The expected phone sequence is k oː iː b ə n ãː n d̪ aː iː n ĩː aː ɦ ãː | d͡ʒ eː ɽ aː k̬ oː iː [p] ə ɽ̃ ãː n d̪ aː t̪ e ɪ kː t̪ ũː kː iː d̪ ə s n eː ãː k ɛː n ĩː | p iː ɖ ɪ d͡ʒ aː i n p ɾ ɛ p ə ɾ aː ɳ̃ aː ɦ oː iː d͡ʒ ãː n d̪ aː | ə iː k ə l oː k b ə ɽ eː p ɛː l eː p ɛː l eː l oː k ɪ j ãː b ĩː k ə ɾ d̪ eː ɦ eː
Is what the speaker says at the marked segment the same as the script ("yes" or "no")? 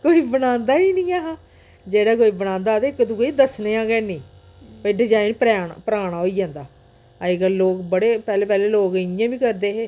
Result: no